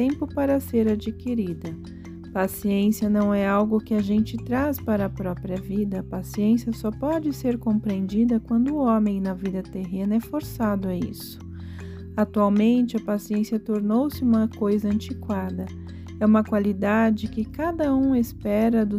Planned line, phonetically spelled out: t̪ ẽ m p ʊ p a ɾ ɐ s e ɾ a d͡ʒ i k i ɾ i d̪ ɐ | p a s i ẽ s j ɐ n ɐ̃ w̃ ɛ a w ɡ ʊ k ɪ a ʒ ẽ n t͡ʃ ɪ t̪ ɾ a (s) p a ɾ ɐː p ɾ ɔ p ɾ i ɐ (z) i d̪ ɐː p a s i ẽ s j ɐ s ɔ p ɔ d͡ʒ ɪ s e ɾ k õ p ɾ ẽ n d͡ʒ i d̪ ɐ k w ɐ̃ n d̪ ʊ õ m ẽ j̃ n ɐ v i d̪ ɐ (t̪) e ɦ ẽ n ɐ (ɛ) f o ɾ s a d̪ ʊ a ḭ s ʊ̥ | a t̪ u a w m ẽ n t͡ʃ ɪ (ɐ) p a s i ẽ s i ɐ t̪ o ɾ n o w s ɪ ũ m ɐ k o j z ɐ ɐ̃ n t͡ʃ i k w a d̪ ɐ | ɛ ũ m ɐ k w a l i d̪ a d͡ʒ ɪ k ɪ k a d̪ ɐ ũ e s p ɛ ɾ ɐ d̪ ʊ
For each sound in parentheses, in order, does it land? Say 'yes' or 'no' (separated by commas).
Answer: yes, no, yes, yes, yes